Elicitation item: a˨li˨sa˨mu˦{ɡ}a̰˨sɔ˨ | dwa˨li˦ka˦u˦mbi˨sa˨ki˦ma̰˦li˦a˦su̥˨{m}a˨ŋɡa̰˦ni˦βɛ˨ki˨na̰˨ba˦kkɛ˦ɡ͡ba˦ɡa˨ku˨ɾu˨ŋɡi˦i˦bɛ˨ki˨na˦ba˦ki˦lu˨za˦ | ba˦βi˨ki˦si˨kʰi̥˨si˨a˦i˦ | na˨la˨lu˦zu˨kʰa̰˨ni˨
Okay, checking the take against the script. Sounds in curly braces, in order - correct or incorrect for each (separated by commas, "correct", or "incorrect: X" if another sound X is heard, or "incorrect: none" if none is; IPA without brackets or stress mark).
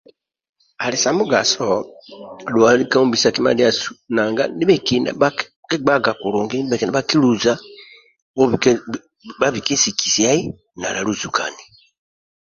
correct, incorrect: n